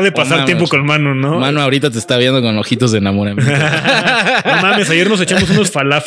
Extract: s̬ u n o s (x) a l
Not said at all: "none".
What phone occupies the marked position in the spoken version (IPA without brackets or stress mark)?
f